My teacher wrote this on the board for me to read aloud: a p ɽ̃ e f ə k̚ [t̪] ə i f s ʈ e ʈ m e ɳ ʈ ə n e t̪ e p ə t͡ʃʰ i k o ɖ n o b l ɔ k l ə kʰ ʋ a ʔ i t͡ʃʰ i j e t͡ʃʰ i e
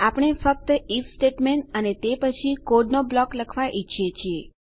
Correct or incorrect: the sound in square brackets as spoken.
correct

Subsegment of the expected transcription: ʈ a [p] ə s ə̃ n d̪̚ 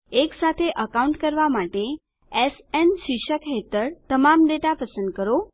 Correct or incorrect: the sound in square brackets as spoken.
correct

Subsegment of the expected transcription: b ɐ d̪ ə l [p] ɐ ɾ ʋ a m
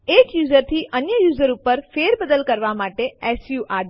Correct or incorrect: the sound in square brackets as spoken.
incorrect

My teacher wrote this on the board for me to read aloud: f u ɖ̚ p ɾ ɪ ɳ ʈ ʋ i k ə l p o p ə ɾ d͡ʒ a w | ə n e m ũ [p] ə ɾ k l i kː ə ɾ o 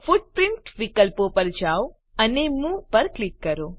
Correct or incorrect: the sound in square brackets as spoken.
correct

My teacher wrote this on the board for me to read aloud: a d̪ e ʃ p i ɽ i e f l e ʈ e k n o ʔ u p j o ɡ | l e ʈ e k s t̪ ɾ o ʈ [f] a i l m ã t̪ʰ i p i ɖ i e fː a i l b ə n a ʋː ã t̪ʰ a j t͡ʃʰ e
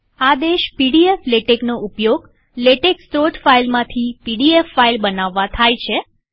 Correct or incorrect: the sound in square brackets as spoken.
correct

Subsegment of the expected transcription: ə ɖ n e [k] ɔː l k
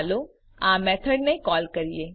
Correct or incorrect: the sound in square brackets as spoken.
correct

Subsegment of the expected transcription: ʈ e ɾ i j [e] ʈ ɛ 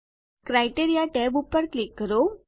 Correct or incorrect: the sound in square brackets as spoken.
incorrect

